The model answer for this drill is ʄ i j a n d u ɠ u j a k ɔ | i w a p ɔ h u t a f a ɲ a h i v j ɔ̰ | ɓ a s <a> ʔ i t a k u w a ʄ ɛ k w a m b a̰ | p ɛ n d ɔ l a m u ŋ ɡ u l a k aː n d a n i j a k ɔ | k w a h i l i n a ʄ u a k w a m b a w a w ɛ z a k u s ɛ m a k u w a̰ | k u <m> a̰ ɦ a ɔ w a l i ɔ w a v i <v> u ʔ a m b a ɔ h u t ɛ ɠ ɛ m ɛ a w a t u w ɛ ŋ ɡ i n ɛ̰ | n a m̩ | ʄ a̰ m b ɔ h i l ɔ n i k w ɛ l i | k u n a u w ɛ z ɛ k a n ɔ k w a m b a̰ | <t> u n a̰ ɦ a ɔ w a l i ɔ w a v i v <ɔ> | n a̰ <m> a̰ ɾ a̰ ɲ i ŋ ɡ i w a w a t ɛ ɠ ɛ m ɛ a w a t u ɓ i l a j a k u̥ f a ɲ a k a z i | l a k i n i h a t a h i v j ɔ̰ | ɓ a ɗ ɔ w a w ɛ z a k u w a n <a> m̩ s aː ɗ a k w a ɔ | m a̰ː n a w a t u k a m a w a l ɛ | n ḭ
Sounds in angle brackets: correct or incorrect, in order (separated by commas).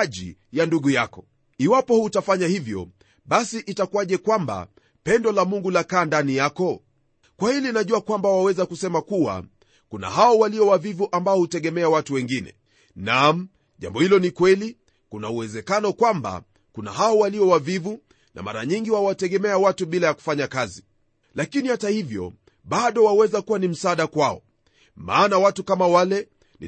incorrect, incorrect, correct, incorrect, incorrect, correct, incorrect